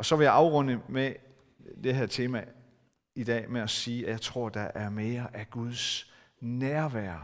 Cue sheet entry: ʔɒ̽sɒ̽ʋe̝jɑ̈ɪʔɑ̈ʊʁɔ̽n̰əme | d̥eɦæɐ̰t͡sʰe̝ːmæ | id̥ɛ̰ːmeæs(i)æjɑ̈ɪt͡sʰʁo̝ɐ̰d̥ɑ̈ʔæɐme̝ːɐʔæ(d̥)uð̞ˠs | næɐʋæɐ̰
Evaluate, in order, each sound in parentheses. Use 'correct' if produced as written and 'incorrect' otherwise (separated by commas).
incorrect, incorrect